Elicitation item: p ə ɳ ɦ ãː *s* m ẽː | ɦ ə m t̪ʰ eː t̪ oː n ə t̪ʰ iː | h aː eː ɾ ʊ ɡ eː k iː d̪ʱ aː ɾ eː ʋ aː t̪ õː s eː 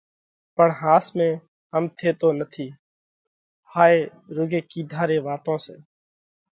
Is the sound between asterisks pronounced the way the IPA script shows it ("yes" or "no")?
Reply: yes